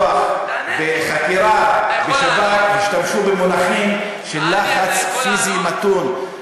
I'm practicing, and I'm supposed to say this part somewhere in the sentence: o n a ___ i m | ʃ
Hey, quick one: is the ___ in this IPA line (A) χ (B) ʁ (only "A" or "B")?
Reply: A